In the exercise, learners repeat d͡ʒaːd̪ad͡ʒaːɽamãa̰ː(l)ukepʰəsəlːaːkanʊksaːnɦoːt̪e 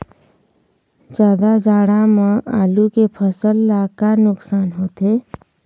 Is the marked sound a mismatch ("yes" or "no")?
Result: no